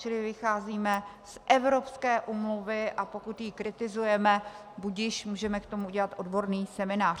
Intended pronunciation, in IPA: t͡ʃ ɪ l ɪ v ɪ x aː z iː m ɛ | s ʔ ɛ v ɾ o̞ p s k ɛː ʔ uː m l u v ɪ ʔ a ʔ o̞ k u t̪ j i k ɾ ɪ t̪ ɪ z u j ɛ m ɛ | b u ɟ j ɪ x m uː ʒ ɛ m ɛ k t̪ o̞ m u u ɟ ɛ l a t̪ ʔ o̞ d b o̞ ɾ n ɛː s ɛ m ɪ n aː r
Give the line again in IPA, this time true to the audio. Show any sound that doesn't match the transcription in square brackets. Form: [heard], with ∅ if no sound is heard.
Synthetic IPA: t͡ʃ ɪ l ɪ v ɪ x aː z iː m ɛ | s ʔ ɛ v ɾ o̞ p s k ɛː ʔ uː m l u v ɪ ʔ a [p] o̞ k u t̪ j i k ɾ ɪ t̪ ɪ z u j ɛ m ɛ | b u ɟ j ɪ [ʃ] m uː ʒ ɛ m ɛ k t̪ o̞ m u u ɟ ɛ l a t̪ ʔ o̞ d b o̞ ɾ n [iː] s ɛ m ɪ n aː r